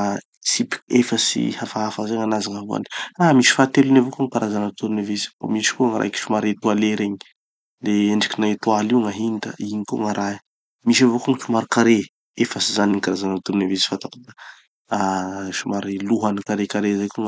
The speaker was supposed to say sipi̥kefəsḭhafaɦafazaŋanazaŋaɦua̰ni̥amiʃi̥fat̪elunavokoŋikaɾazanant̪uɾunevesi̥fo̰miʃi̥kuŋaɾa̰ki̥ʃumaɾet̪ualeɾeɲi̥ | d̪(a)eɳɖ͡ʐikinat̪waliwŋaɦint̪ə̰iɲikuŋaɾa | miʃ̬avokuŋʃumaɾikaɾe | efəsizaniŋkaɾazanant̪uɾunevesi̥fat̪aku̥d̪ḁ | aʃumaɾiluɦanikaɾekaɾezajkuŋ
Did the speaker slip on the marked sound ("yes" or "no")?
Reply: yes